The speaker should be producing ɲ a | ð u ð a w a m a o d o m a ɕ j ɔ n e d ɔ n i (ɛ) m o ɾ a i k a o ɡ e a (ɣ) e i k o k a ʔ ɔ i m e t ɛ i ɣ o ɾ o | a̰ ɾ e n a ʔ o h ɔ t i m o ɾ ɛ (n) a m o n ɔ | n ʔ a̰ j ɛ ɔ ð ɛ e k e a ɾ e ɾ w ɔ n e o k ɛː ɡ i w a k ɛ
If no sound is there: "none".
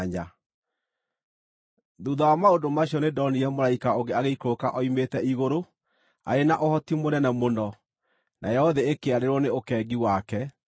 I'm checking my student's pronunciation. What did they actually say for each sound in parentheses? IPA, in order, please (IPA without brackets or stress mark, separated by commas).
ɛ, ɣ, n